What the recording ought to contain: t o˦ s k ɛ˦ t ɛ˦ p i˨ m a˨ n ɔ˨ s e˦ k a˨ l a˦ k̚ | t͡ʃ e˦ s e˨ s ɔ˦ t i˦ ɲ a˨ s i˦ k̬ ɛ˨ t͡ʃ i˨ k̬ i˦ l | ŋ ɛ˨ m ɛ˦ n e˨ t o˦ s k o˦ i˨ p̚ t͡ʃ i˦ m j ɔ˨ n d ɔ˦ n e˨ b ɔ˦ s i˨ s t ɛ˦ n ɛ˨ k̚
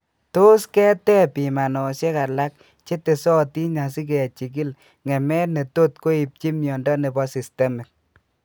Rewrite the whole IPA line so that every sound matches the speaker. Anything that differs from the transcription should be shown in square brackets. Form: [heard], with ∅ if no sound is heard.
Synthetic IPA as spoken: t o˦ s k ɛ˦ t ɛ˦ p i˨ m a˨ n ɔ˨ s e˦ k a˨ l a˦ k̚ | t͡ʃ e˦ [t] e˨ s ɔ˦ t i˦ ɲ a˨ s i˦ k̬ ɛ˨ t͡ʃ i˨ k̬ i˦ l | ŋ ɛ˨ m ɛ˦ n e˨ t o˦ [t] k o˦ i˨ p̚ t͡ʃ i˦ m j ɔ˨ n d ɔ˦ n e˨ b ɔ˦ s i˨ s t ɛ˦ [m] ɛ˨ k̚